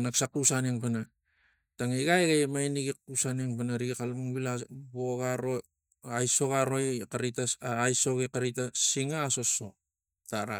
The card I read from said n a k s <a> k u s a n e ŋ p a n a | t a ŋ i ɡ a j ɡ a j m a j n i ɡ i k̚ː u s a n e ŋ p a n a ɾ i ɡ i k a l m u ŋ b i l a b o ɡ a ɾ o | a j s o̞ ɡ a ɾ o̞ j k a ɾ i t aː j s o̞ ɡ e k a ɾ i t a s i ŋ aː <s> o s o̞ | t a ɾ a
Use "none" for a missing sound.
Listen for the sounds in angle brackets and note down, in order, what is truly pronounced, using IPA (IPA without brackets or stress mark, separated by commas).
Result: a, s